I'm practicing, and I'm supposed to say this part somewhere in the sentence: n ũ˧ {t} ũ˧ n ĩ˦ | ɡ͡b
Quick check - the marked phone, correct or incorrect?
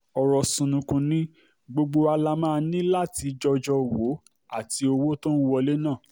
incorrect